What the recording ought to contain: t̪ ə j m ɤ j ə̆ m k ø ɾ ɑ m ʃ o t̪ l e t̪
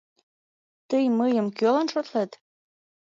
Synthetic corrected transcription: t̪ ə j m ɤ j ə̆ m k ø l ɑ n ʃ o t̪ l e t̪